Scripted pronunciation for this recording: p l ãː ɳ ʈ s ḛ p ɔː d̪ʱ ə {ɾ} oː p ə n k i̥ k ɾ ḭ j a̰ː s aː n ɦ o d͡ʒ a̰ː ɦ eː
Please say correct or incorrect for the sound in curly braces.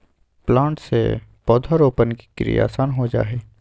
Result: correct